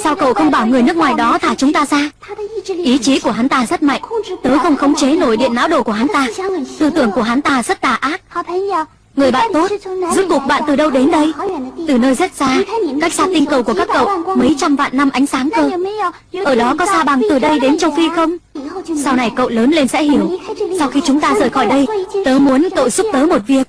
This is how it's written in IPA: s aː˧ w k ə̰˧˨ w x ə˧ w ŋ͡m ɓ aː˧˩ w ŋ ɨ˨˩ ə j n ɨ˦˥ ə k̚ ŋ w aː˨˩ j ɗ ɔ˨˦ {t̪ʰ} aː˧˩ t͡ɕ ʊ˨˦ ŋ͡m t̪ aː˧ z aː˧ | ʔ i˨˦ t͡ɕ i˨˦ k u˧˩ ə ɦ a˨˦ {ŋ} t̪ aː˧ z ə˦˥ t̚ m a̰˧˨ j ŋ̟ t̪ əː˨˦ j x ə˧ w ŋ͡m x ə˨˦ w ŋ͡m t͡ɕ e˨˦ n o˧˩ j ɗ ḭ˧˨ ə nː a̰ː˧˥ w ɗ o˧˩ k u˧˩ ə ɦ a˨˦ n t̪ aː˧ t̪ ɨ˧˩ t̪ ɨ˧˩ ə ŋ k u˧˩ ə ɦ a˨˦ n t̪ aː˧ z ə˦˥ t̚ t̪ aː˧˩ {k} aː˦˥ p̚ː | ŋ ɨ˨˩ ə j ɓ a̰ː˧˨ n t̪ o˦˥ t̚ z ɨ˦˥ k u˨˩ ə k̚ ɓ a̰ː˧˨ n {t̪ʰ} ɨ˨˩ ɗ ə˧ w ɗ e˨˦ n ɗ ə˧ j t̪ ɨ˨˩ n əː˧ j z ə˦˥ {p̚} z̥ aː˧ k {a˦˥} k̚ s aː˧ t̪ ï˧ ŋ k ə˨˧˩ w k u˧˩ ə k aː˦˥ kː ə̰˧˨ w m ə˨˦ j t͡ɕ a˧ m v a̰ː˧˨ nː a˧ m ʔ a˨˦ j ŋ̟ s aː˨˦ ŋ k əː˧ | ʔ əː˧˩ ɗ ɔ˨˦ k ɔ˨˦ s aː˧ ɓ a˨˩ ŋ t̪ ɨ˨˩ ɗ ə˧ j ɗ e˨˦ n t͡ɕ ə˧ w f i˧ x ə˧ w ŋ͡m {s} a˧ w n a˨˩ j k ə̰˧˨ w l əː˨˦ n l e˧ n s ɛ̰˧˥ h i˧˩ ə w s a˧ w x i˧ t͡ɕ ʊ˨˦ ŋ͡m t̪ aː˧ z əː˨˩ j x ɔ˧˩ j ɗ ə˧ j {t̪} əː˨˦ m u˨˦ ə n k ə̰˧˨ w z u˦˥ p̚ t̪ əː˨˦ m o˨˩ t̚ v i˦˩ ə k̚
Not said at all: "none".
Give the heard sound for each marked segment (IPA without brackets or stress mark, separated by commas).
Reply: t̪ʰ, n, ʔ, t̪, t̚, a˦˥, s, t̪